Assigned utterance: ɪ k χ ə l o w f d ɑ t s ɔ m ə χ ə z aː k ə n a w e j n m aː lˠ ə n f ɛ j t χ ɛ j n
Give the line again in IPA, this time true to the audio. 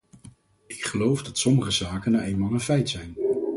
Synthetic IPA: ɪ k χ ə l o w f d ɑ t s ɔ m ə χ ə z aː k ə n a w e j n m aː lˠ ə n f ɛ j t s ɛ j n